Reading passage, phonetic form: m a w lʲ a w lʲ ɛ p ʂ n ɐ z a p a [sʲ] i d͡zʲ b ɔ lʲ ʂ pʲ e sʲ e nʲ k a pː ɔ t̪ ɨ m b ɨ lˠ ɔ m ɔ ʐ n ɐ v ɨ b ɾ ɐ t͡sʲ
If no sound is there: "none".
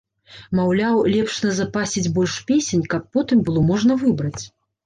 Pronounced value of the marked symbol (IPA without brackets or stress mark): sʲ